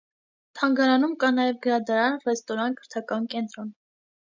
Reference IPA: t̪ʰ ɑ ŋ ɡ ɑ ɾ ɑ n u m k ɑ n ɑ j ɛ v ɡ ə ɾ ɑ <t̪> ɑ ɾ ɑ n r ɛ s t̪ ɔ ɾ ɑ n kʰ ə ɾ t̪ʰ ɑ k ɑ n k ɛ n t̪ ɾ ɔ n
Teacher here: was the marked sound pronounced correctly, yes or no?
no